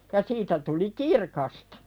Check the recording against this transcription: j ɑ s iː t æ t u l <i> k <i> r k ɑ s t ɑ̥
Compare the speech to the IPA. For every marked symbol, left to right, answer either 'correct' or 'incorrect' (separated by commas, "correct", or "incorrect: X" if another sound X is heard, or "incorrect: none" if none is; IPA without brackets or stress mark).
correct, correct